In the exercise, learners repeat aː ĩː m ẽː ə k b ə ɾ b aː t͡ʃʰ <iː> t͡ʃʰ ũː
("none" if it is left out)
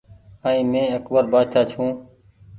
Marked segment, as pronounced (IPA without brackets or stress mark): aː